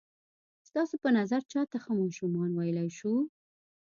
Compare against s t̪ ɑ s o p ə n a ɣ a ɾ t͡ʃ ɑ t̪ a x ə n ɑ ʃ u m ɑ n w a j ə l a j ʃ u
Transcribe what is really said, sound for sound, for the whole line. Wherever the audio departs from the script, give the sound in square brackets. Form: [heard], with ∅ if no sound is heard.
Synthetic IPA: s t̪ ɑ s o p ə n a [z] a ɾ t͡ʃ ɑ t̪ a x ə [m] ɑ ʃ u m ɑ n w a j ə l a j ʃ u